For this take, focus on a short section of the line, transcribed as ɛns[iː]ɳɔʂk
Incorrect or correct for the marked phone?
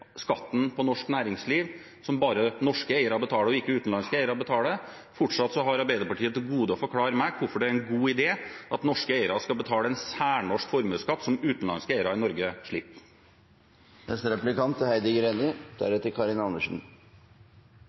incorrect: æː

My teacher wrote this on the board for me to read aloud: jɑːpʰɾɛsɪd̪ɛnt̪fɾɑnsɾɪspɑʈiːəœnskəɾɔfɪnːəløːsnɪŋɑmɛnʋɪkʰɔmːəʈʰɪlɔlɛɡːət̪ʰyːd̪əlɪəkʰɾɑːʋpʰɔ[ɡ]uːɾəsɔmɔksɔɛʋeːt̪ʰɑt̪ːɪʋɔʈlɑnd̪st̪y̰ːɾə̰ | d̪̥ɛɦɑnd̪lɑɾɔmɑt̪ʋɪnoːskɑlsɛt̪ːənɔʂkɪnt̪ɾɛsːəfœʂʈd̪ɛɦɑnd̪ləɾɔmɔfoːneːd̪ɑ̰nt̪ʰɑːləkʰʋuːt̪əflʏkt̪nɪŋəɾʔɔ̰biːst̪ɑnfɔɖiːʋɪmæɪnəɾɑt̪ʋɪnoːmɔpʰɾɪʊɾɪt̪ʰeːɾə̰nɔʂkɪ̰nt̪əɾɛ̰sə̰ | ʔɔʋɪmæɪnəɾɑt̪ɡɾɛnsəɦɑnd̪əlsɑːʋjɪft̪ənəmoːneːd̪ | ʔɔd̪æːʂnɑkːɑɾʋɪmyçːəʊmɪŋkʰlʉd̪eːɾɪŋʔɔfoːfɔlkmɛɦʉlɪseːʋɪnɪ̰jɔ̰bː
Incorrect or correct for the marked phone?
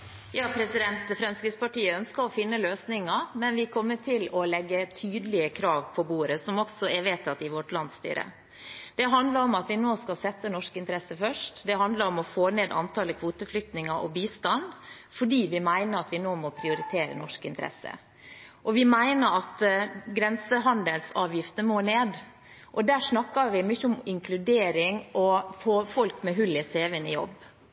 incorrect: b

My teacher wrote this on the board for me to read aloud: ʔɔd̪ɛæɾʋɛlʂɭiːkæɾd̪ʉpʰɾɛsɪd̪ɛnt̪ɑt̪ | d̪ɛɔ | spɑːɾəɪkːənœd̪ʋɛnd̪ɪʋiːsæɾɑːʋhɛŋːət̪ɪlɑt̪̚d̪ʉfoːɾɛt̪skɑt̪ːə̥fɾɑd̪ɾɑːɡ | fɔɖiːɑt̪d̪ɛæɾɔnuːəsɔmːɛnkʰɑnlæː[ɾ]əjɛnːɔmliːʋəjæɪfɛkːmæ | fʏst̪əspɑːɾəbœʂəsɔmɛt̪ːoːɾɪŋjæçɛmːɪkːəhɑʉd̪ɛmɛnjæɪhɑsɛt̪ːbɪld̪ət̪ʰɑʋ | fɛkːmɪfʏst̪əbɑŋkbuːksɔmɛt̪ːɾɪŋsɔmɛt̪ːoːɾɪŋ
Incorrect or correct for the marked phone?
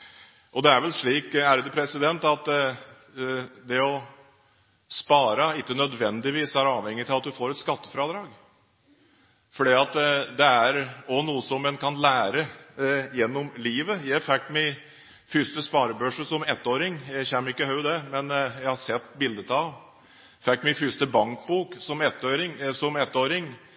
correct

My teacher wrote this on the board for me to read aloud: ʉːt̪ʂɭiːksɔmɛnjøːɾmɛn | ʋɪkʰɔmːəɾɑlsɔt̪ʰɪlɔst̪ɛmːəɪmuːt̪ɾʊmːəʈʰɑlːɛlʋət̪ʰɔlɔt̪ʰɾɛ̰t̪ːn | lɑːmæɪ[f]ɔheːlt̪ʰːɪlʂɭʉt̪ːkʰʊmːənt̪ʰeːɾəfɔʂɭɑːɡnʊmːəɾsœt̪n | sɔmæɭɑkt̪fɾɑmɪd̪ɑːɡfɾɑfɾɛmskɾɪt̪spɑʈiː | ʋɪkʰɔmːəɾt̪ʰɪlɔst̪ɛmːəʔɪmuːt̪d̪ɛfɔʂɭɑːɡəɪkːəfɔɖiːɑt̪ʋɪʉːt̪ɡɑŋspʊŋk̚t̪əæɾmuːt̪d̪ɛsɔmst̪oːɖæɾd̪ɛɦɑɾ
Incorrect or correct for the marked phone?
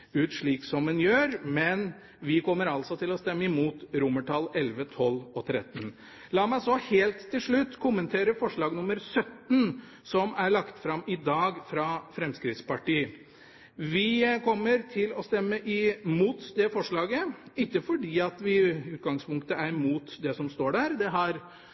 incorrect: s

